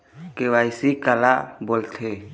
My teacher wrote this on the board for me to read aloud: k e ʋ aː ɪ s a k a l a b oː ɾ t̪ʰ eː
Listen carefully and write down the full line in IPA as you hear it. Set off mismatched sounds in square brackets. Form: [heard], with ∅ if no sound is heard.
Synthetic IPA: k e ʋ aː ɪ s [i] k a l a b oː [l] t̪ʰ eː